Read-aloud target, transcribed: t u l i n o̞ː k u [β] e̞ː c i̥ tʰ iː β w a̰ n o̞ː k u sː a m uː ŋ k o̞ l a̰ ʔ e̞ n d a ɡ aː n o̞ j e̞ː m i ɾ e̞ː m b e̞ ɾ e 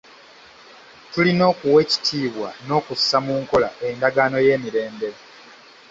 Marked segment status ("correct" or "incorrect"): incorrect